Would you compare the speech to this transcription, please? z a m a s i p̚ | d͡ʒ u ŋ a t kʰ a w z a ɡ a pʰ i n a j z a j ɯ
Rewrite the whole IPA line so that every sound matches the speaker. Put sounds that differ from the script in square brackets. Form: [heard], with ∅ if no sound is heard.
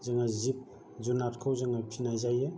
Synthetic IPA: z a [ŋ] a [z] i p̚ | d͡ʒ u [n] a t kʰ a w z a [ŋ] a pʰ i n a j z a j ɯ